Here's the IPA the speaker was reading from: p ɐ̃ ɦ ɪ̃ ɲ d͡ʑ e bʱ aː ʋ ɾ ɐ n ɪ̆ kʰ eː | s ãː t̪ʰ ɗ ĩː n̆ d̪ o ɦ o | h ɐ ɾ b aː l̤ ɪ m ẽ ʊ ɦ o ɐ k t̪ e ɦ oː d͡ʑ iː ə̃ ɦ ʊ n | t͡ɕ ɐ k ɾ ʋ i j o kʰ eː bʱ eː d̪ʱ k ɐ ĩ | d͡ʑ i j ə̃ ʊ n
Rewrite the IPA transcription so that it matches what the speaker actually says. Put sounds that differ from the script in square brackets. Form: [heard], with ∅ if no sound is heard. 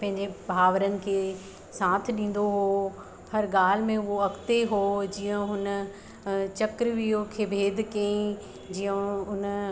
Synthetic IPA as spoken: p ɐ̃ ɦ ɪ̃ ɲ d͡ʑ e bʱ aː ʋ ɾ [ə] n ɪ̆ kʰ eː | s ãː t̪ʰ ɗ ĩː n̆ d̪ o ɦ o | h ɐ ɾ [ɡ] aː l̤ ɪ m ẽ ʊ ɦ o ɐ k t̪ e ɦ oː d͡ʑ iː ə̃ ɦ ʊ n | t͡ɕ ɐ k ɾ ʋ i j o kʰ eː bʱ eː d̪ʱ k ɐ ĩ | d͡ʑ i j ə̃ ʊ n

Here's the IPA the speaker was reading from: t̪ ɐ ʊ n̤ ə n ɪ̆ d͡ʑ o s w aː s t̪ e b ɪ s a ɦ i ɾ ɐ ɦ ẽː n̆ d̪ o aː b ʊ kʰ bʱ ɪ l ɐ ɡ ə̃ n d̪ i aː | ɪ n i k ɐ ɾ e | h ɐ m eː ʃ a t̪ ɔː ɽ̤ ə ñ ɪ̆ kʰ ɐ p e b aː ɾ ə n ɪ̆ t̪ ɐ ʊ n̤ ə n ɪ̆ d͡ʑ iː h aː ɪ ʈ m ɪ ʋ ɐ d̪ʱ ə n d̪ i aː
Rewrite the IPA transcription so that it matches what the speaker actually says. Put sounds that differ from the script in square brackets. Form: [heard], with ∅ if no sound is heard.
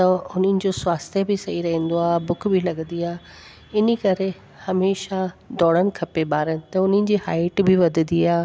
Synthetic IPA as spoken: t̪ ɐ ʊ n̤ ə n ɪ̆ d͡ʑ o s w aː s t̪ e b ɪ s [ɐ] ɦ i ɾ ɐ ɦ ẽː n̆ d̪ o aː b ʊ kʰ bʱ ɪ l ɐ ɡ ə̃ n d̪ i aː | ɪ n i k ɐ ɾ e | h ɐ m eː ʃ a [d̪] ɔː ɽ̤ ə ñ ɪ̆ kʰ ɐ p e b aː ɾ ə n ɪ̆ t̪ ɐ ʊ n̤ ə n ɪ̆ d͡ʑ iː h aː ɪ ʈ [b] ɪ ʋ ɐ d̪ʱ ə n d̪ i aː

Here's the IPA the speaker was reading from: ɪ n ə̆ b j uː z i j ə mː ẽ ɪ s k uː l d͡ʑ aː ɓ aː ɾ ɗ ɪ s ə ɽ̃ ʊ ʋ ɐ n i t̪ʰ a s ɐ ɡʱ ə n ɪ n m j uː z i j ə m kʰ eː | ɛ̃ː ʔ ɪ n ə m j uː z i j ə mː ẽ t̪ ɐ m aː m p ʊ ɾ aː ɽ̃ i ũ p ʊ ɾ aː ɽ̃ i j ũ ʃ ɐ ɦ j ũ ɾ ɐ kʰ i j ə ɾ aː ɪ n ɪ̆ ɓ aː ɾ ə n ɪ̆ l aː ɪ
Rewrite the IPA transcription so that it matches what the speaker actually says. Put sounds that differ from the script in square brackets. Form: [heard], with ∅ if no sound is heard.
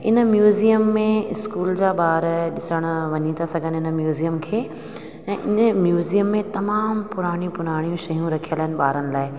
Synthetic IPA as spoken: ɪ n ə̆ [m] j uː z i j ə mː ẽ ɪ s k uː l d͡ʑ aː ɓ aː ɾ ɗ ɪ s ə ɽ̃ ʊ ʋ ɐ [ɲ] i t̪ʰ a s ɐ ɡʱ ə n ɪ n m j uː z i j ə m kʰ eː | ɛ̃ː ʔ ɪ n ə m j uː z i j ə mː ẽ t̪ ɐ m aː m p ʊ ɾ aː ɽ̃ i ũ p ʊ ɾ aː ɽ̃ i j ũ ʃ ɐ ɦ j ũ ɾ ɐ kʰ i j ə [l] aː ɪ n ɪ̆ ɓ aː ɾ ə n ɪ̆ l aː ɪ

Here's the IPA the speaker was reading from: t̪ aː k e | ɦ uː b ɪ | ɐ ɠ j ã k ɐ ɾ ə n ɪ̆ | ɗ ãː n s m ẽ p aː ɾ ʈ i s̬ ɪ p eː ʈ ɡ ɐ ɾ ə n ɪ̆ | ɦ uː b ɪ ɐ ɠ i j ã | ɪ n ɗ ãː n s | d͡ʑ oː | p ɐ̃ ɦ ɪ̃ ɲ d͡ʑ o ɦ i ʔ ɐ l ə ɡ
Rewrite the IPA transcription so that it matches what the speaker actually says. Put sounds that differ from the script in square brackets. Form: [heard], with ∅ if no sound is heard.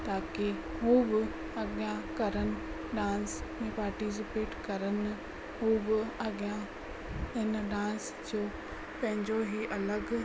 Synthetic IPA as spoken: t̪ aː k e | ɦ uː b ɪ | ɐ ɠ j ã k ɐ ɾ ə n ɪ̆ | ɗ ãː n s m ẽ p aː ɾ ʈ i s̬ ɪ p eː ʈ [k] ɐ ɾ ə n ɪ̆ | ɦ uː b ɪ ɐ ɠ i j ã | ɪ n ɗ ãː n s | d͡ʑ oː | p ɐ̃ ɦ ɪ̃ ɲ d͡ʑ o ɦ i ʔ ɐ l ə ɡ

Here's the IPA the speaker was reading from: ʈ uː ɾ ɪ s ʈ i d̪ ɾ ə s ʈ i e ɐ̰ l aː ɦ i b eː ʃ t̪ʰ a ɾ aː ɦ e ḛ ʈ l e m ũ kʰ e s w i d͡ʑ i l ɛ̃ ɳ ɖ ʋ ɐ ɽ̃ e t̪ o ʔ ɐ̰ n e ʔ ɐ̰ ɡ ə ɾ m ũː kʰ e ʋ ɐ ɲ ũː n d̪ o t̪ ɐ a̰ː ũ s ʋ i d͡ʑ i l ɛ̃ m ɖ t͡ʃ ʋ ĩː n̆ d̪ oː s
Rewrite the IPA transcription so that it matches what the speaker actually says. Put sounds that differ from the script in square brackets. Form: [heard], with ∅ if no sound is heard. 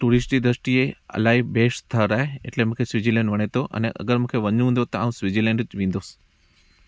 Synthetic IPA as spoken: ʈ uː ɾ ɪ s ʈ i d̪ ɾ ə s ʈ i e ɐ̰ l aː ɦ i b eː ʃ t̪ʰ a ɾ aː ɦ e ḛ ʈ l e m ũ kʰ e s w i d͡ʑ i l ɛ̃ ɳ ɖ ʋ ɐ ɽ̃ e t̪ o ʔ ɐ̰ n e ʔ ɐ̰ ɡ ə ɾ m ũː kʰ e ʋ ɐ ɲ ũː n d̪ o t̪ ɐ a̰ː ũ s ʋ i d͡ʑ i l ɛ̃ [ɳ] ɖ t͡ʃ ʋ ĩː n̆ d̪ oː s

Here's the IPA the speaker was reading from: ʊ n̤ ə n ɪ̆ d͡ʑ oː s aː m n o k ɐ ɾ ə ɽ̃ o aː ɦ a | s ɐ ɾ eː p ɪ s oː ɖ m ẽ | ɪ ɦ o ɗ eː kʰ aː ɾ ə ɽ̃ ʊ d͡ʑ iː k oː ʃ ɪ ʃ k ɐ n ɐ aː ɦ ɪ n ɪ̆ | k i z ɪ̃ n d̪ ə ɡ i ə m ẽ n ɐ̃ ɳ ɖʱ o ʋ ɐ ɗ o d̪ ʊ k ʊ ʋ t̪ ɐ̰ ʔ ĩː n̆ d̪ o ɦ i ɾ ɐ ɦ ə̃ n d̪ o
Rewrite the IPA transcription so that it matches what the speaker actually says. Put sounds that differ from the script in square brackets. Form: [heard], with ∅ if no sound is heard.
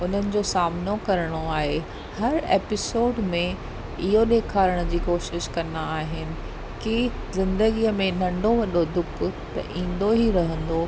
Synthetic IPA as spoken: ʊ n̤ ə n ɪ̆ d͡ʑ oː s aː m n o k ɐ ɾ ə ɽ̃ o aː ɦ [e] | [h] ɐ ɾ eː p ɪ s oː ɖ m ẽ | ɪ ɦ o ɗ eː kʰ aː ɾ ə ɽ̃ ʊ d͡ʑ iː k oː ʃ ɪ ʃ k ɐ n [a] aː ɦ ɪ n ɪ̆ | k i z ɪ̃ n d̪ ə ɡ i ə m ẽ n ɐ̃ ɳ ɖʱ o ʋ ɐ ɗ o d̪ ʊ k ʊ [∅] t̪ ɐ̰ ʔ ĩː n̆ d̪ o ɦ i ɾ ɐ ɦ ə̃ n d̪ o

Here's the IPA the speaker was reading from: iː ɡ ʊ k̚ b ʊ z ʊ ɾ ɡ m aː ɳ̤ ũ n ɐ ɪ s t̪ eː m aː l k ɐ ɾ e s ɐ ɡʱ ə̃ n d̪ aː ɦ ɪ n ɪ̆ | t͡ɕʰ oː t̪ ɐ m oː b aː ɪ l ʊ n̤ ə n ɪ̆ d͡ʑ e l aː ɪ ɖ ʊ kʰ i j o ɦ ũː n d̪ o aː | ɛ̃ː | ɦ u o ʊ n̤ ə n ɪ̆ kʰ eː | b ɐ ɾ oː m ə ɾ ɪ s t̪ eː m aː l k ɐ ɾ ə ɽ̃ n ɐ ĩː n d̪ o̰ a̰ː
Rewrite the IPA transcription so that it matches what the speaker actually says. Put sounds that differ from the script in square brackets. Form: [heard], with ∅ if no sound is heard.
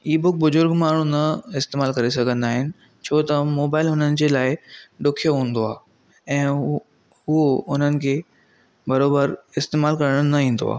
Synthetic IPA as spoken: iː [b] ʊ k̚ b ʊ z ʊ ɾ ɡ m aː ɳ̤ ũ n ɐ ɪ s t̪ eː m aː l k ɐ ɾ e s ɐ ɡʱ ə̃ n d̪ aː ɦ ɪ n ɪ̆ | t͡ɕʰ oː t̪ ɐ m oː b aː ɪ l ʊ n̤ ə n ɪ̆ d͡ʑ e l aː ɪ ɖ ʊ kʰ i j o ɦ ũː n d̪ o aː | ɛ̃ː | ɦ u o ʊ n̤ ə n ɪ̆ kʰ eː | b ɐ ɾ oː [b] ə ɾ ɪ s t̪ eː m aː l k ɐ ɾ ə ɽ̃ n ɐ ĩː n d̪ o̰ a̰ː

